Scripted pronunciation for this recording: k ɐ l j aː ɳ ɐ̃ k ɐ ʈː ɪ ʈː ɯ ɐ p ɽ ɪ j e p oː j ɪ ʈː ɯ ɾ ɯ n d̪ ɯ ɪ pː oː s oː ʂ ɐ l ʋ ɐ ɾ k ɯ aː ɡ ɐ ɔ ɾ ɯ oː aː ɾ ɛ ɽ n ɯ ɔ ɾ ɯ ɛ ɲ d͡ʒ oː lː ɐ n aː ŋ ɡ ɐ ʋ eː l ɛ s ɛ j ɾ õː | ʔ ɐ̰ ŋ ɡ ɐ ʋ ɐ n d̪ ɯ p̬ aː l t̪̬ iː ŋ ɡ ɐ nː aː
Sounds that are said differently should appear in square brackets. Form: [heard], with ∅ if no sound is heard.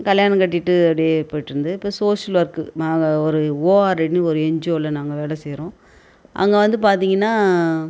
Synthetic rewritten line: k ɐ l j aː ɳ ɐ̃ k ɐ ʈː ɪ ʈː ɯ ɐ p ɽ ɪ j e p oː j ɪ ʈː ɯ ɾ ɯ n d̪ ɯ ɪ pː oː s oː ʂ ɐ l ʋ ɐ ɾ k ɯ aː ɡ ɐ ɔ ɾ ɯ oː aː ɾ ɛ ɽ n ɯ ɔ ɾ ɯ ɛ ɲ d͡ʒ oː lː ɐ n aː ŋ ɡ ɐ ʋ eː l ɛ s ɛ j ɾ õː | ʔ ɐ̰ ŋ ɡ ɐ ʋ ɐ n d̪ ɯ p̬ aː [ɾ] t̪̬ iː ŋ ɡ ɐ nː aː